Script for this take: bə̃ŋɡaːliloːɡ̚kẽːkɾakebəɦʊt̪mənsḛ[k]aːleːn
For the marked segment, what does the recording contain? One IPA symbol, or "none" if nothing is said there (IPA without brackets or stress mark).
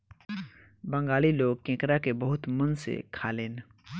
kʰ